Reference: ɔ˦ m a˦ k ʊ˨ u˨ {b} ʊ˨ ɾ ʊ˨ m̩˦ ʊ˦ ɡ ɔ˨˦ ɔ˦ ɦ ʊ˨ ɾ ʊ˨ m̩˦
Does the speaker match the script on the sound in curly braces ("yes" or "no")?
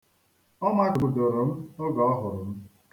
no